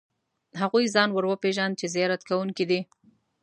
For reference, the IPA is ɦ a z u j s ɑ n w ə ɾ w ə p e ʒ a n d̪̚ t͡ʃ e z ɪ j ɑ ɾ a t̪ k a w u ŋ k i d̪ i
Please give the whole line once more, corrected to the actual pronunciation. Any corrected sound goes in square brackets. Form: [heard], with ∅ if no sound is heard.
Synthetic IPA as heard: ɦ a [ɣ] u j [z] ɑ n w ə ɾ w ə p e ʒ a n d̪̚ t͡ʃ e z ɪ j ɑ ɾ a t̪ k a w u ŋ k i d̪ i